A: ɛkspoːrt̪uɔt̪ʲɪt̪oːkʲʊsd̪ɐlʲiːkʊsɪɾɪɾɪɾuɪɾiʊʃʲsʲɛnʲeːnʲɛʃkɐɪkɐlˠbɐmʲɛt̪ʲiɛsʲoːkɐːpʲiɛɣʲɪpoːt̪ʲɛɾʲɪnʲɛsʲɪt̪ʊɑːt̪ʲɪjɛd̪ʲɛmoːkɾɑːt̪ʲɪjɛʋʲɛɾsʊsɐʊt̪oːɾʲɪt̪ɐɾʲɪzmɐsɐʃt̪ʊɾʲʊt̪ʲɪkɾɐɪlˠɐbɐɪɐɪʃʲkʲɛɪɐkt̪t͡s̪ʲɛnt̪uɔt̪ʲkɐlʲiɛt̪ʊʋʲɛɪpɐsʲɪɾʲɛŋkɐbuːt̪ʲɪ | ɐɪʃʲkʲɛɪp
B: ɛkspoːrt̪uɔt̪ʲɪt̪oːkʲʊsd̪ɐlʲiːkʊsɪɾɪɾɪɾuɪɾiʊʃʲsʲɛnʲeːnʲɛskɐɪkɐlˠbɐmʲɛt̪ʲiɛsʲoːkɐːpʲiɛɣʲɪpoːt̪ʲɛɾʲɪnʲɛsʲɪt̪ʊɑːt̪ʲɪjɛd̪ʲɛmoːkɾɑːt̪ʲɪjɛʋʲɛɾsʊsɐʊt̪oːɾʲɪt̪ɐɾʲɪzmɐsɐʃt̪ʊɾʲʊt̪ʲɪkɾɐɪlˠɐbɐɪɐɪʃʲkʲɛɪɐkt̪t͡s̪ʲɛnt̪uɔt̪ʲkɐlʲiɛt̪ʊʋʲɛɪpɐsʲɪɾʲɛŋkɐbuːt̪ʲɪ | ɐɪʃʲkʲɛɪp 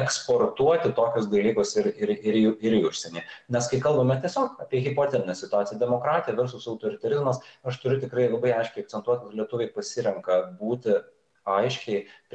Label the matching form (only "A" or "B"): B